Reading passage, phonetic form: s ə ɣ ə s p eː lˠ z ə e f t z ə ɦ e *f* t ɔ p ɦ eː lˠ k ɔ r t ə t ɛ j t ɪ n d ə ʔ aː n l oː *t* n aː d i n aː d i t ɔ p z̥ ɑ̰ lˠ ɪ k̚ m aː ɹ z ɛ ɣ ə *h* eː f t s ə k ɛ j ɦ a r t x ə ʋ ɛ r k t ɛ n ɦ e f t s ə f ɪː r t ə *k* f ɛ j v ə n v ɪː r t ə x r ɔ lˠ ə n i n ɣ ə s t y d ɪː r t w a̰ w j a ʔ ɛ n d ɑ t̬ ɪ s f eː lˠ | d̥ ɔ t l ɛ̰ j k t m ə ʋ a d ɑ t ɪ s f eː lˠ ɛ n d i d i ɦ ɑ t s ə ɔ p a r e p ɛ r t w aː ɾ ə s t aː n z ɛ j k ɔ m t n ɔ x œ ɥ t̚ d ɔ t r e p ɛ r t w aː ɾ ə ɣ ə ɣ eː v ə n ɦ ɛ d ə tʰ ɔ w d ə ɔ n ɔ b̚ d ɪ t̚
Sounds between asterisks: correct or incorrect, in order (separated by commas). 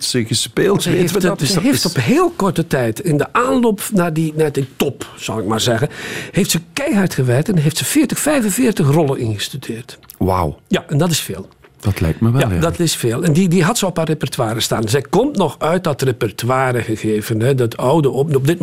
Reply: correct, incorrect, correct, incorrect